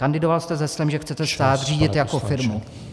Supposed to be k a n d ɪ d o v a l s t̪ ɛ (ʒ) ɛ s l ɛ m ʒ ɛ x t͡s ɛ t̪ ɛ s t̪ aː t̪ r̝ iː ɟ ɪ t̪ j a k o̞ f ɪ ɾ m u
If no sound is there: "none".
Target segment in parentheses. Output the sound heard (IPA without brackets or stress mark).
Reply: z